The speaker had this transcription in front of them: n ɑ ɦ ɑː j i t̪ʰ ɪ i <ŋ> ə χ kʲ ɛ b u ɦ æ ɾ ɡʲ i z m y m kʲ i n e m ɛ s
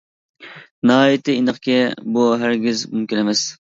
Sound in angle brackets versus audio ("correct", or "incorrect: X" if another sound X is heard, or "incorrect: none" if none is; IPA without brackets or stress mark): incorrect: n